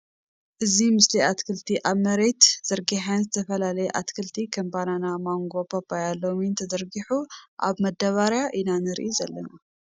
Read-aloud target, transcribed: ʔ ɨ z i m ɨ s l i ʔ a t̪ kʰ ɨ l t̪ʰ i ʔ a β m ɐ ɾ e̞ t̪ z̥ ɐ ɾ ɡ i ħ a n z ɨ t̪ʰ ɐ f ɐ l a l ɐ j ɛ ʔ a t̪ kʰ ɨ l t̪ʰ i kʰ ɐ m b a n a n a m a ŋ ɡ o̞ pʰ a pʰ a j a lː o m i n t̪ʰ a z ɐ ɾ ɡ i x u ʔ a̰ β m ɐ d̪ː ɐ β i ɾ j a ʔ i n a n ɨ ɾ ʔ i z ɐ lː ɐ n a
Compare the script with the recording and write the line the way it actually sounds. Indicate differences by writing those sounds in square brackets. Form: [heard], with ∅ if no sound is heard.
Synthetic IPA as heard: ʔ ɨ z i m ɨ s l i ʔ a t̪ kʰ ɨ l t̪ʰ i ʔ a β m ɐ ɾ e̞ t̪ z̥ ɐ ɾ ɡ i ħ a n z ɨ t̪ʰ ɐ f ɐ l a l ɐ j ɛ ʔ a t̪ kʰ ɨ l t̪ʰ i kʰ ɐ m b a n a n a m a ŋ ɡ o̞ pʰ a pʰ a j a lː o m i n t̪ʰ [ɐ] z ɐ ɾ ɡ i [ħ] u ʔ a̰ β m ɐ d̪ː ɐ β [a] ɾ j a ʔ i n a n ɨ ɾ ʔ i z ɐ lː ɐ n a